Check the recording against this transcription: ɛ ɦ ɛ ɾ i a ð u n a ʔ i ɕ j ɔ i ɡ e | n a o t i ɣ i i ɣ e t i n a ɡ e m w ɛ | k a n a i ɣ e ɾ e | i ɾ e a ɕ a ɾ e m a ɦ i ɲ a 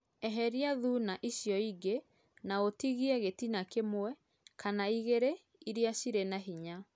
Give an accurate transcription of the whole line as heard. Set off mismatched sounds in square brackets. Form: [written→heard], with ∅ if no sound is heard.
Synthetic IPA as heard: ɛ ɦ ɛ ɾ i a ð u n a ʔ i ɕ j ɔ i ɡ e | n a o t i ɣ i [i→ɛ] ɣ e t i n a [ɡ→k] e m w ɛ | k a n a i ɣ e ɾ e | i ɾ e a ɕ [a→i] ɾ e [m→n] a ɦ i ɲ a